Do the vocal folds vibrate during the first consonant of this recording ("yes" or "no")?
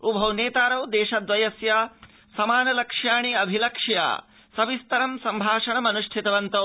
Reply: yes